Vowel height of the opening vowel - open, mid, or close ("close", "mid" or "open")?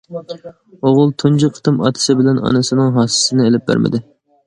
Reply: mid